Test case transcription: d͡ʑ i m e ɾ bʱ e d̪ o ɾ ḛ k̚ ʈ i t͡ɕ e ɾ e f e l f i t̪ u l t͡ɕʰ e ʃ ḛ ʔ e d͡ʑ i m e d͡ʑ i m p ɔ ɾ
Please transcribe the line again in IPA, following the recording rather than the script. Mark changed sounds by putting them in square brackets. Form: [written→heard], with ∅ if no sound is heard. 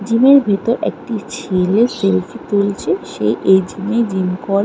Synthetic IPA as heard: d͡ʑ i m e ɾ bʱ e [d̪→t̪] o ɾ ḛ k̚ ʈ i [t͡ɕ→t͡ɕʰ] e [ɾ→l] e [f→s] e l f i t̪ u l t͡ɕʰ e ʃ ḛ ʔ e d͡ʑ i m e d͡ʑ i m [p→k] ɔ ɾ